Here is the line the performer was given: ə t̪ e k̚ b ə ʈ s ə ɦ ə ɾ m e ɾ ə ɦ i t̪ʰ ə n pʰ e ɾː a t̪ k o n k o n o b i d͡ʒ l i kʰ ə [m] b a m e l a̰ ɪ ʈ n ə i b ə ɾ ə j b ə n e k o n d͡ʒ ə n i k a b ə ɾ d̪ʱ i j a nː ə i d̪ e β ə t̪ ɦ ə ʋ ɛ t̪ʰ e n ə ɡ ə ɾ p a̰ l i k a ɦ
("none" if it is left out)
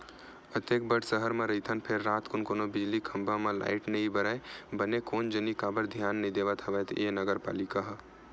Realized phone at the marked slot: m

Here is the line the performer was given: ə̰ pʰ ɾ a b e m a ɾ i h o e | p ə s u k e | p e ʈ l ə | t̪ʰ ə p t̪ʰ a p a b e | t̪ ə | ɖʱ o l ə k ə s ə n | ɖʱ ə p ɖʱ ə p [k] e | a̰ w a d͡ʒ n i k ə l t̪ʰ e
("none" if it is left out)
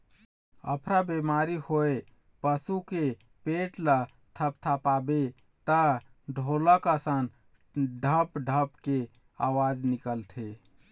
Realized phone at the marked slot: k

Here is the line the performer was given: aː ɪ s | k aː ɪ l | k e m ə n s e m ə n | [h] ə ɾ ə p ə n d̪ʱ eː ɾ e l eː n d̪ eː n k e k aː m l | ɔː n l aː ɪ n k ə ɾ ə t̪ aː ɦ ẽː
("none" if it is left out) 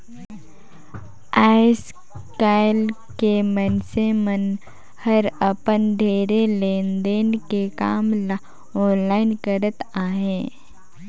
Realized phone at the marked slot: h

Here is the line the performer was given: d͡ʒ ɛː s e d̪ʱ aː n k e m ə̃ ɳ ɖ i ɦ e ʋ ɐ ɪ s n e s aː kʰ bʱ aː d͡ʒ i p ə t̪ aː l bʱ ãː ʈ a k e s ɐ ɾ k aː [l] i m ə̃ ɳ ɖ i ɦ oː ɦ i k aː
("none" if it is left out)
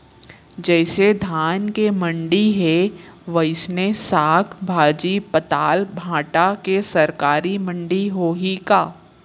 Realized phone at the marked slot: ɾ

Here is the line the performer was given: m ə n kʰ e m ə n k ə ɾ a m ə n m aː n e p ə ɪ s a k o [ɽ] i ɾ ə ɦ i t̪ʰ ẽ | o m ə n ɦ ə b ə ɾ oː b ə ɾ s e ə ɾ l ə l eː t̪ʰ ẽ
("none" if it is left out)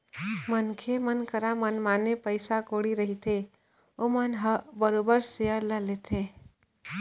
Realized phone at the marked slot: ɽ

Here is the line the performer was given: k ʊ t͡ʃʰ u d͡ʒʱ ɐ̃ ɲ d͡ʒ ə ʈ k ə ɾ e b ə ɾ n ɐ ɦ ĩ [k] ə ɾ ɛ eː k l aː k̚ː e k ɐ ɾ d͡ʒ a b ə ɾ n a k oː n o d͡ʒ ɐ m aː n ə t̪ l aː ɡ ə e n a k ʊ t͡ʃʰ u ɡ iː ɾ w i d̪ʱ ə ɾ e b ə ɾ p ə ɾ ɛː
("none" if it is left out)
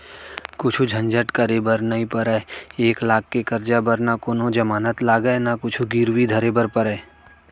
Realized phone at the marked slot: p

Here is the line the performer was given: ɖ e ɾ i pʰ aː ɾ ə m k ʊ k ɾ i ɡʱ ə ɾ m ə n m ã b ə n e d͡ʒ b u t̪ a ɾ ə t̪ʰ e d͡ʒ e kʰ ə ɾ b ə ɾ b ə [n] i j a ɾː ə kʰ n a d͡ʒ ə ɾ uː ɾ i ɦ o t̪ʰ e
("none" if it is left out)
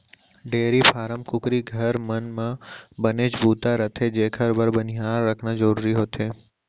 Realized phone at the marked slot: n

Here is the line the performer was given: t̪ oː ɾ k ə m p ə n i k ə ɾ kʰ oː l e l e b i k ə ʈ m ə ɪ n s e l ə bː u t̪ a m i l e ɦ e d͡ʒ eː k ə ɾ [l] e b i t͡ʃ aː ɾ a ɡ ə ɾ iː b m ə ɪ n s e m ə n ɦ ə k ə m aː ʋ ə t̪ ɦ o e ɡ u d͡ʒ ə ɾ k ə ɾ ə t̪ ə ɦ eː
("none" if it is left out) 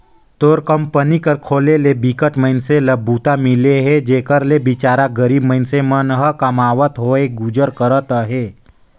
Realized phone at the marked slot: l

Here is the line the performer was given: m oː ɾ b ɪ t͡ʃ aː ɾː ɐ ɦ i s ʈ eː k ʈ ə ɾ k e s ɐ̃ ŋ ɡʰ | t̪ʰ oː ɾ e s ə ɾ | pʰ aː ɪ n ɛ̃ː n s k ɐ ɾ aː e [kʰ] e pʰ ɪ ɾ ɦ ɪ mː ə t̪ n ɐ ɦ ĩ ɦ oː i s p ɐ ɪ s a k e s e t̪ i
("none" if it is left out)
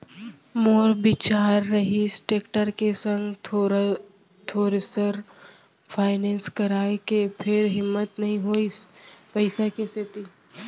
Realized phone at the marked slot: k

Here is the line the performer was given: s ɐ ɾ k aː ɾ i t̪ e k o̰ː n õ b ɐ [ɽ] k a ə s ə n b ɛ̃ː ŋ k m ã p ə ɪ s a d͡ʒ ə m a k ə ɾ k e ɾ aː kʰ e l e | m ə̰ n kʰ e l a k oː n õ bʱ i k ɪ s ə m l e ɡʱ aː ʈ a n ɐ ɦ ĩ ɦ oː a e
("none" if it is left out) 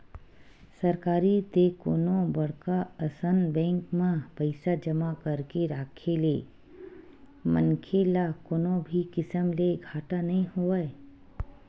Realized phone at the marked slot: ɽ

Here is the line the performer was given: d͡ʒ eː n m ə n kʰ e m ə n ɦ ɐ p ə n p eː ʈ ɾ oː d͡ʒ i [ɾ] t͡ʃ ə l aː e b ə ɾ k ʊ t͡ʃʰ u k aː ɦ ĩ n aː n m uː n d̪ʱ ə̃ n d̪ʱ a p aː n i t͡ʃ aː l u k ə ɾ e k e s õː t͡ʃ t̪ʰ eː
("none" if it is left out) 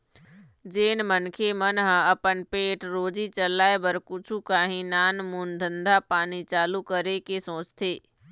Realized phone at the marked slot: none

